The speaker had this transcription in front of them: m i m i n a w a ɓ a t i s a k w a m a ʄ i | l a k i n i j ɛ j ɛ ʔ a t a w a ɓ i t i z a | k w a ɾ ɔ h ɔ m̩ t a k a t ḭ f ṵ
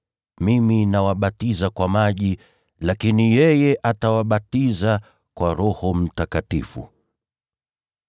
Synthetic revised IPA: m i m i n a w a ɓ a t i z a k w a m a ʄ i | l a k i n i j ɛ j ɛ ʔ a t a w a ɓ a t i z a | k w a ɾ ɔ h ɔ m̩ t a k a t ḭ f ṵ